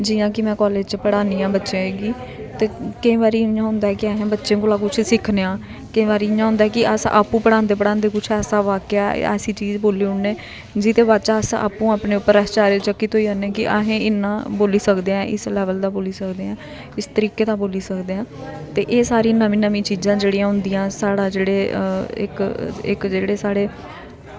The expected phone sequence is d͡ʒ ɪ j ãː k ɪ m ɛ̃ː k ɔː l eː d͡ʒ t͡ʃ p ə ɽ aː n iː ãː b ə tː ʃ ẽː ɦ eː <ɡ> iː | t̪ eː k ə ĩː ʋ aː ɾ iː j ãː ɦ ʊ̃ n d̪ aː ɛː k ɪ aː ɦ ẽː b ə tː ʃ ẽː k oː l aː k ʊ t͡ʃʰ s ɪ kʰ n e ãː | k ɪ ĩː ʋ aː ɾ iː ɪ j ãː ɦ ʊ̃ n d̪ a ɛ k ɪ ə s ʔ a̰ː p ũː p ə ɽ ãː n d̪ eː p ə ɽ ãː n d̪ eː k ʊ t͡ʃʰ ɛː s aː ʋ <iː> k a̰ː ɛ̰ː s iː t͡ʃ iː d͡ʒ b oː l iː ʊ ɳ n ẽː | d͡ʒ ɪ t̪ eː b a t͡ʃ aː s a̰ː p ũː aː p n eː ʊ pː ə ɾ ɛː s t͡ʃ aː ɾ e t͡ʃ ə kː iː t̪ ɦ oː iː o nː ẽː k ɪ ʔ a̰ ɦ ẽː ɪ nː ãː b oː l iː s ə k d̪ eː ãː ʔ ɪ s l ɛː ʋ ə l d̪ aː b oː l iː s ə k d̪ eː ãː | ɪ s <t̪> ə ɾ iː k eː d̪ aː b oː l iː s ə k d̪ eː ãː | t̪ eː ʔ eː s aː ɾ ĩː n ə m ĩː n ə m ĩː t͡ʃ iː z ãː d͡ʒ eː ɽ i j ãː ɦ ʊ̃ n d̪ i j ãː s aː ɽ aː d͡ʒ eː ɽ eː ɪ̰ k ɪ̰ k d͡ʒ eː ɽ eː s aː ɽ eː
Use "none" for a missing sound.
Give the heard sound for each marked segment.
ɡ, aː, t̪

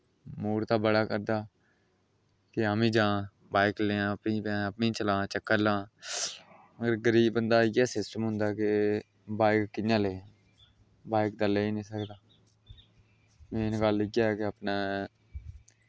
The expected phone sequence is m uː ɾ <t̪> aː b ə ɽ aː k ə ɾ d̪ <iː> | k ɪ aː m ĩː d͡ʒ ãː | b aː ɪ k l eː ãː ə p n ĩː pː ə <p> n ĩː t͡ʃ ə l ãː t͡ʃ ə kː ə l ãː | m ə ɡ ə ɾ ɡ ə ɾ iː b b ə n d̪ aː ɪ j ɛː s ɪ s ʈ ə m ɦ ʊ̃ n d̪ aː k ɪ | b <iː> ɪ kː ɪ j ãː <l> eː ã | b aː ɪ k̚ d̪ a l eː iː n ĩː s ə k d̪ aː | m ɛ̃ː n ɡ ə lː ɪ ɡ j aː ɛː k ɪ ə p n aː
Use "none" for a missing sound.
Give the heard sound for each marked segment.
t̪, aː, p, aː, l

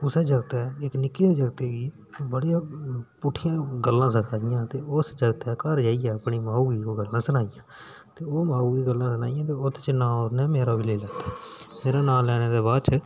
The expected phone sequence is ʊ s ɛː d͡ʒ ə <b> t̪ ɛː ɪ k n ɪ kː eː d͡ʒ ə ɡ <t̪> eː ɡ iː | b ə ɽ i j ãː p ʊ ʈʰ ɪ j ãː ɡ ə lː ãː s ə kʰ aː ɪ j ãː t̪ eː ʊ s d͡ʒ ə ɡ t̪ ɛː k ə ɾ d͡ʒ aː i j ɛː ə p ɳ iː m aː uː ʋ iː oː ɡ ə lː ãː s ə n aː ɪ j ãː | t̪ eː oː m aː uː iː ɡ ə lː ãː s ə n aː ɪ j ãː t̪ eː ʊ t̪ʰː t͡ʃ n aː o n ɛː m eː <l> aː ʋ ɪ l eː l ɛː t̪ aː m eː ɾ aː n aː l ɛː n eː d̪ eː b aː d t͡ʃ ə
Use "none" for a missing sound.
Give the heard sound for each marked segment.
ɡ, t̪, ɾ

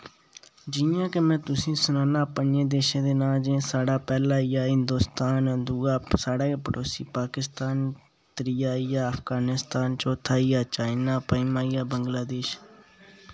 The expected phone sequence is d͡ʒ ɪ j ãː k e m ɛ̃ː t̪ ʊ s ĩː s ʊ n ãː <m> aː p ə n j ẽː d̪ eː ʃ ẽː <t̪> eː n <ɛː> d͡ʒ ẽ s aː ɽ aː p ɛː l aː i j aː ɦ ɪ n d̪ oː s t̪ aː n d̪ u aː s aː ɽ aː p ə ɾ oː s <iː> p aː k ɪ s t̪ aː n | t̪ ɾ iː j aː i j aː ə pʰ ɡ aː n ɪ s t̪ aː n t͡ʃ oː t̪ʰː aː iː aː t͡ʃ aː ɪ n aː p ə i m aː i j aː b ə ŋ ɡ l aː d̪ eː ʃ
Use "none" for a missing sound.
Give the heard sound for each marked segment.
n, d̪, aː, iː

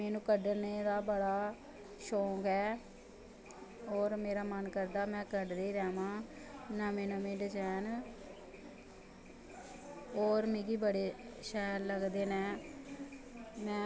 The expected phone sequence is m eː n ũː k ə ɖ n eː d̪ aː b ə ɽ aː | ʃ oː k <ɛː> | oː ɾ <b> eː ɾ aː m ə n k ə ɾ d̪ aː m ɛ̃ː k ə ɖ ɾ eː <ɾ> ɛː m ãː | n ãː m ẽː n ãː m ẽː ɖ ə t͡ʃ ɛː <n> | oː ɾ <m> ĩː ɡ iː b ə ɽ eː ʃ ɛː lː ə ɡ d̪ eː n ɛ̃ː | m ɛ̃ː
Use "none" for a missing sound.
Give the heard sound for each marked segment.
ɛː, m, ɾ, n, m

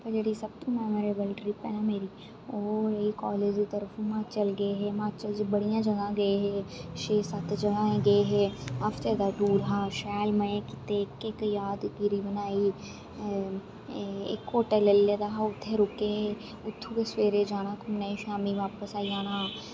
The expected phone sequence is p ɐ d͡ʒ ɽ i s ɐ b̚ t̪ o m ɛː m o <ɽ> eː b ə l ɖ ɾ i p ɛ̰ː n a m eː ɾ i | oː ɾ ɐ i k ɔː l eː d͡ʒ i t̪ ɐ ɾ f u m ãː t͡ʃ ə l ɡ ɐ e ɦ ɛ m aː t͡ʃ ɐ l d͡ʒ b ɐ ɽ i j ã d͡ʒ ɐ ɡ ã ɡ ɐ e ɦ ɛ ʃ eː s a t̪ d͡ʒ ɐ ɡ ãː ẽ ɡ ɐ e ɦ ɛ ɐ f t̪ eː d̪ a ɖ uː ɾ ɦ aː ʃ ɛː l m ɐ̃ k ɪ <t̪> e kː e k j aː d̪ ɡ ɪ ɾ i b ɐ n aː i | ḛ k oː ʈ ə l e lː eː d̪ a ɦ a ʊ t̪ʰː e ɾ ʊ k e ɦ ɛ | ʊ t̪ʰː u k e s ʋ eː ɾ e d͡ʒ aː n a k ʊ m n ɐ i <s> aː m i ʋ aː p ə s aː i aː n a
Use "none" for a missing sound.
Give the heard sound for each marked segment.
ɾ, t̪, ʃ

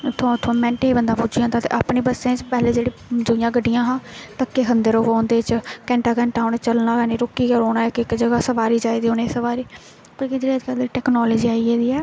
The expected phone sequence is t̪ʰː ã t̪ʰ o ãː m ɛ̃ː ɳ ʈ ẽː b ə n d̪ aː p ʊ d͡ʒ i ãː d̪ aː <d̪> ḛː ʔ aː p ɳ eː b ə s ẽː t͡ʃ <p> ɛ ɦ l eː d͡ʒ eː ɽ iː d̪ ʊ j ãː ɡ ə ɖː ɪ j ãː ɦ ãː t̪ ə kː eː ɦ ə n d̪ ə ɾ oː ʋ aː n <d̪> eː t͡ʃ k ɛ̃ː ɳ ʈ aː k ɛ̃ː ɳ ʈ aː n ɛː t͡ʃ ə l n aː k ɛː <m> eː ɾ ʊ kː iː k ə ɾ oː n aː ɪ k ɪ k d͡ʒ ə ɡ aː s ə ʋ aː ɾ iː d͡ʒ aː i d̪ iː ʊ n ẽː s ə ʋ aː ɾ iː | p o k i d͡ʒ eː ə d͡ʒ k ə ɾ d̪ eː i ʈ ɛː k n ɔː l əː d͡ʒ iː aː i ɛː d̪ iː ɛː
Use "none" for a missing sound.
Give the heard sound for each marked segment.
t̪, p, d̪, n

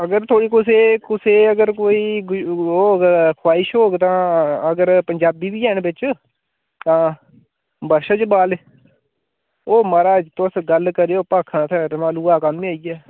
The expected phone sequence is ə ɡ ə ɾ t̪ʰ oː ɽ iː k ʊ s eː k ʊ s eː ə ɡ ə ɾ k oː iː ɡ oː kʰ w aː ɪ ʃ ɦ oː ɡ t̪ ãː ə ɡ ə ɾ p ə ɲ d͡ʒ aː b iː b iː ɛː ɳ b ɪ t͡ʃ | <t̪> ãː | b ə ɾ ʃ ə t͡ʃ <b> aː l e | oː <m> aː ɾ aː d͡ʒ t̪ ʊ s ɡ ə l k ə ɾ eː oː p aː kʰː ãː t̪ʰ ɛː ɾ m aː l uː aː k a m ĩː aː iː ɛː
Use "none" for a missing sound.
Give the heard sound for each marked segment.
t̪, b, m

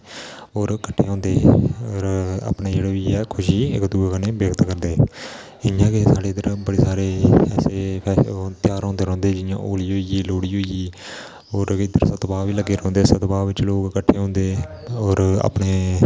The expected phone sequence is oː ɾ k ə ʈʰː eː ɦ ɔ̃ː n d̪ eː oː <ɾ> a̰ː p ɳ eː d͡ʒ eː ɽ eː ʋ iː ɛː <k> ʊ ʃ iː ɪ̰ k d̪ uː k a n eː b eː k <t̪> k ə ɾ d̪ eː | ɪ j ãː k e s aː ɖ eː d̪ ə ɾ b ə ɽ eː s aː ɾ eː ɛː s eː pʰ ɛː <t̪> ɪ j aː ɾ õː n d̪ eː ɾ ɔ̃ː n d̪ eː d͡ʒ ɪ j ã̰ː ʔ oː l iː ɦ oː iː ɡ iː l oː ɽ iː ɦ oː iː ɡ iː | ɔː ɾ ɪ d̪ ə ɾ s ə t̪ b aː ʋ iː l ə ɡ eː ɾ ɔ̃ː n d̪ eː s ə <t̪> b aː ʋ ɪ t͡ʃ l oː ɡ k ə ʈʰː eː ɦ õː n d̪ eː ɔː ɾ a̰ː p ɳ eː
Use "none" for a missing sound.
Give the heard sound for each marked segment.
ɾ, kʰ, t̪, t̪, t̪

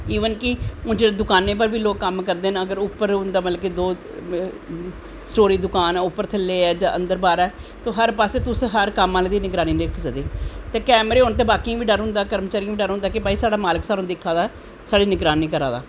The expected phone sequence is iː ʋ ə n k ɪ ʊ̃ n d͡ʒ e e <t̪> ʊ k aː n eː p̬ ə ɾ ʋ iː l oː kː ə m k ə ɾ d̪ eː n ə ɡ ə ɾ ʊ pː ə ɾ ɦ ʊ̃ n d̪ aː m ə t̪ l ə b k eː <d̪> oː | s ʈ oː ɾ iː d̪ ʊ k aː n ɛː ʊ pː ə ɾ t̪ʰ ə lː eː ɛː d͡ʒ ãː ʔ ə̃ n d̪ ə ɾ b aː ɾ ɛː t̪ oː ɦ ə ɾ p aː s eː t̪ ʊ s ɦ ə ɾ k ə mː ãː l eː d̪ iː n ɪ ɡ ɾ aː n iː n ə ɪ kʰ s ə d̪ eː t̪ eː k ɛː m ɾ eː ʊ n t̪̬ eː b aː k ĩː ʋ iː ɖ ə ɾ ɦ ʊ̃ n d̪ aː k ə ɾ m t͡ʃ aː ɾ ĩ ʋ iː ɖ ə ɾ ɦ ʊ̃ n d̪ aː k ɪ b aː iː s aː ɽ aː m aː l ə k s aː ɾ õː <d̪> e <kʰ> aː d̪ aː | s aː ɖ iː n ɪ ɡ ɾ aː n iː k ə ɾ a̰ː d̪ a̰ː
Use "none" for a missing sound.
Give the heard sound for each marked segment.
d̪, d̪, d̪, kʰ

